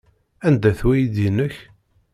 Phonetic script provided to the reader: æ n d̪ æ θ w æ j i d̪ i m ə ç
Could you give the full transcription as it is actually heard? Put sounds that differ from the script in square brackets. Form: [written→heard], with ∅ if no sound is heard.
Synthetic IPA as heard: æ n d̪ æ θ w æ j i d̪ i [m→n] ə ç